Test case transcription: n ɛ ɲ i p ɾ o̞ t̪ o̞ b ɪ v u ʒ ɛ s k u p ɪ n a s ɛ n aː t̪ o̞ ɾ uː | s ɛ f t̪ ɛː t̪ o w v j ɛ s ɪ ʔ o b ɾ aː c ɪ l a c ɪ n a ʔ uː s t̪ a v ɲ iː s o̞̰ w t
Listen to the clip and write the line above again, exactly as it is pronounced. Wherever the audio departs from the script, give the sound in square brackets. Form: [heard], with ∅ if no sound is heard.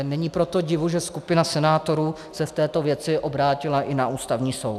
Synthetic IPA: n ɛ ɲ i p ɾ o̞ t̪ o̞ [ɟ] ɪ v u ʒ ɛ s k u p ɪ n a s ɛ n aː t̪ o̞ ɾ uː | s ɛ f t̪ ɛː t̪ o [∅] v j ɛ [t͡s] ɪ ʔ o b ɾ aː c ɪ l a [ʔ] ɪ n a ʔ uː s t̪ a v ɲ iː s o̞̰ w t